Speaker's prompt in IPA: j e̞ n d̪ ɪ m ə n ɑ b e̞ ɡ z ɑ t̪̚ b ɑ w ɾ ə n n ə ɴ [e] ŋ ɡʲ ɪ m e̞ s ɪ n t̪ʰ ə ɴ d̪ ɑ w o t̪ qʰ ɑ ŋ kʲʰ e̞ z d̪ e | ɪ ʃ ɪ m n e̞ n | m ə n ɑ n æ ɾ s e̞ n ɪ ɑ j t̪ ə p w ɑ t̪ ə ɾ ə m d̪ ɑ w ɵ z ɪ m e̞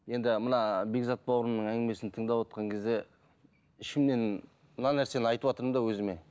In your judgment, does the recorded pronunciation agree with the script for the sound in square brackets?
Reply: no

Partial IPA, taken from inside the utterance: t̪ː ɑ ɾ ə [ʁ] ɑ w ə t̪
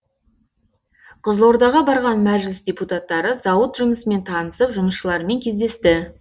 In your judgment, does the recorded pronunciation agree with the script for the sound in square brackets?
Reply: no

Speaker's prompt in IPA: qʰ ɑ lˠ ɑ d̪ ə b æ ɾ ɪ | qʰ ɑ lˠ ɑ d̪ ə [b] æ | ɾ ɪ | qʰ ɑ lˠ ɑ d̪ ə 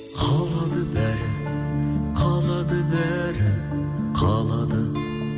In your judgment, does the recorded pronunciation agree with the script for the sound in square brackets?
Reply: yes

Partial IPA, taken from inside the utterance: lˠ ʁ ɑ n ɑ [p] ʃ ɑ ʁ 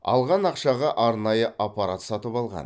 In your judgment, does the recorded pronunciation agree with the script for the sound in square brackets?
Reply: no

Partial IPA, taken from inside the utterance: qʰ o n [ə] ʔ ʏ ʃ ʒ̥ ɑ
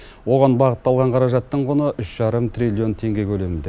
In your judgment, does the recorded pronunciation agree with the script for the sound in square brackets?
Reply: yes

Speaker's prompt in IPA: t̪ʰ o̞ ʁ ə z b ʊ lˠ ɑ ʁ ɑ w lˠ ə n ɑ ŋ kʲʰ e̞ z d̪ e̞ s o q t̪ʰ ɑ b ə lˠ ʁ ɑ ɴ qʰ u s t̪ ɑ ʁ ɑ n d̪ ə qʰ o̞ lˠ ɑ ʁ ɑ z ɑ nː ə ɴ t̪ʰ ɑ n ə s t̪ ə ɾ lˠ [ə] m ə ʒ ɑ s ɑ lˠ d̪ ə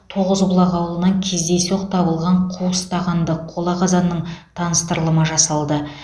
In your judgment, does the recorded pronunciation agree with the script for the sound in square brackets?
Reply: yes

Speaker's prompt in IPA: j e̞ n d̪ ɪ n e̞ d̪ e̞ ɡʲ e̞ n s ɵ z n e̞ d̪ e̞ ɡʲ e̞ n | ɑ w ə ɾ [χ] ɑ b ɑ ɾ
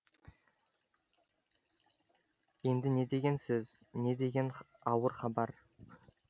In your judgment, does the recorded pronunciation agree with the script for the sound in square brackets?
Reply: yes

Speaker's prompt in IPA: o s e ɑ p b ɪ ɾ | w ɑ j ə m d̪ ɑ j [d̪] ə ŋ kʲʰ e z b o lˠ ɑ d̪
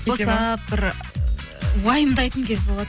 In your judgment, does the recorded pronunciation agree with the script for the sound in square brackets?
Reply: no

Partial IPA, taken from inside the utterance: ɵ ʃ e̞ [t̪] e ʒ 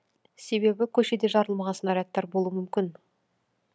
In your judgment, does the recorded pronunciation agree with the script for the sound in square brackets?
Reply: no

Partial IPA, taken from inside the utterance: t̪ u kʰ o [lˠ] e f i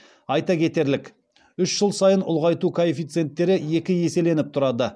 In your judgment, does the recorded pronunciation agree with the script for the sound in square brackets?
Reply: no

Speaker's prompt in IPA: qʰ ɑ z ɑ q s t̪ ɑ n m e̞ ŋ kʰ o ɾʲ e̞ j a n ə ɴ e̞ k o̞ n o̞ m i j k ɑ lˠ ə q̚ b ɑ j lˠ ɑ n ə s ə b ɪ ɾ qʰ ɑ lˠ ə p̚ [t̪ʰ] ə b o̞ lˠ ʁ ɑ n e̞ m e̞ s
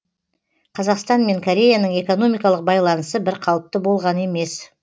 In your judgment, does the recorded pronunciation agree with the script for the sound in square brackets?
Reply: no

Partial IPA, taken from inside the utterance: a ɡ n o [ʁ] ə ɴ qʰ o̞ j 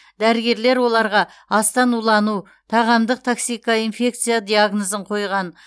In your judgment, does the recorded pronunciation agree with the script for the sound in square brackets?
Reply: no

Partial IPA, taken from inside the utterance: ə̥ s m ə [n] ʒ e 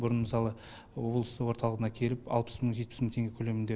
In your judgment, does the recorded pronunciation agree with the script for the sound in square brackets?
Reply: no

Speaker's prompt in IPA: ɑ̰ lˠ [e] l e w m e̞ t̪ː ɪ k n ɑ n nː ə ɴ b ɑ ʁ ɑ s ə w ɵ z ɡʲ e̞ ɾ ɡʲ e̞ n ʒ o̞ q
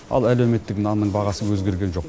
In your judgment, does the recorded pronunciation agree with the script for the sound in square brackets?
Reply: no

